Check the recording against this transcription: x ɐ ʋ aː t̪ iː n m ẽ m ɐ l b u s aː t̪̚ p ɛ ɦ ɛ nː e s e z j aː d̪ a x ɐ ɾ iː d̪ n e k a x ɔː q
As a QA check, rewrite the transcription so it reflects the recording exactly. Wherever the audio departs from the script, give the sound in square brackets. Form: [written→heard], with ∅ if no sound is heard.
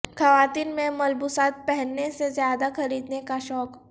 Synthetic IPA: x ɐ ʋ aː t̪ iː n m ẽ m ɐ l b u s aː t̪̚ p ɛ ɦ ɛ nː e s e z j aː d̪ a x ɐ ɾ iː d̪ n e k a [x→ʃ] ɔː [q→k]